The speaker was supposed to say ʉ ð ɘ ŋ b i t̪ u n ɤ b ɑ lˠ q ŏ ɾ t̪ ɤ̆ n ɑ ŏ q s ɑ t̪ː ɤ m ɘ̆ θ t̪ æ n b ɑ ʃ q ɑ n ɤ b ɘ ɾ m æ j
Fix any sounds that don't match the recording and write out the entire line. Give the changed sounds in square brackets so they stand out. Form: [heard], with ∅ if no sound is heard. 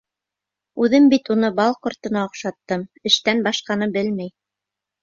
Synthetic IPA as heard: ʉ ð ɘ [m] b i t̪ u n ɤ b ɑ lˠ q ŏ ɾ t̪ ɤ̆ n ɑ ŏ q [ʃ] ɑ t̪ː ɤ m ɘ̆ [ʃ] t̪ æ n b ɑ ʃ q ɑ n ɤ b ɘ [l] m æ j